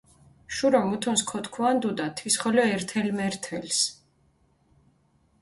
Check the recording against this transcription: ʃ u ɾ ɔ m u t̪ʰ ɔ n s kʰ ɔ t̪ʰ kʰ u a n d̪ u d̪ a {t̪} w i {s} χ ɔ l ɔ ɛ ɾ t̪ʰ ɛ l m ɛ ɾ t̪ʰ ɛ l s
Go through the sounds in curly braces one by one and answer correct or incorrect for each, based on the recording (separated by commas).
incorrect, correct